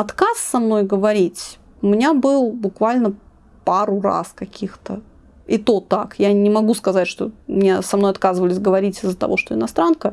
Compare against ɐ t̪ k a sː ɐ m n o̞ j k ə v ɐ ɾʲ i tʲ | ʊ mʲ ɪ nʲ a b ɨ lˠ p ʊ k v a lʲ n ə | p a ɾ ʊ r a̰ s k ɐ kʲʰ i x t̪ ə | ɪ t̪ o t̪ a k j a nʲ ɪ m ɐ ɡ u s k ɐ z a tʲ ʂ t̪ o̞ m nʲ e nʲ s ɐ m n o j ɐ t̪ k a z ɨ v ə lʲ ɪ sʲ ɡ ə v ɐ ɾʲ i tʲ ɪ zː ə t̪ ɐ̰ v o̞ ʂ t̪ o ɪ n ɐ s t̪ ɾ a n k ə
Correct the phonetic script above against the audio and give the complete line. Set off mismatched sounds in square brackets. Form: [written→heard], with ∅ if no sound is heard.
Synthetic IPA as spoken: ɐ t̪ k a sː ɐ m n o̞ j [k→ɡ] ə v ɐ ɾʲ i tʲ | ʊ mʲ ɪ nʲ a b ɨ lˠ [p→b] ʊ k v a lʲ n ə | p a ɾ ʊ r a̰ s k ɐ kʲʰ i x t̪ ə | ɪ t̪ o t̪ a k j a nʲ ɪ m ɐ ɡ u s k ɐ z a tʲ ʂ t̪ o̞ m nʲ e [nʲ→∅] s ɐ m n o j ɐ t̪ k a z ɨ v ə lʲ ɪ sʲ ɡ ə v ɐ ɾʲ i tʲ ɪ zː ə t̪ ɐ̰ v o̞ ʂ t̪ o ɪ n ɐ s t̪ ɾ a n k ə